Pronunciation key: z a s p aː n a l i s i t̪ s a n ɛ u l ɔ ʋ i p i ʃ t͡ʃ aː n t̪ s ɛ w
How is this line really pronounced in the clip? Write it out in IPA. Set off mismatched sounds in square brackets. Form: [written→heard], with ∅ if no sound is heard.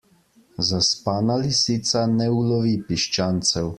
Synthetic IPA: z a s p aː n a l i s i t̪ s a n ɛ u l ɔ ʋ i p i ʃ t͡ʃ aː n t̪ s ɛ w